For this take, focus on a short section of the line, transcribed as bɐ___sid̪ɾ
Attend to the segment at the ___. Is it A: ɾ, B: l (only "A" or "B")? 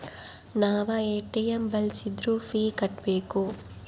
B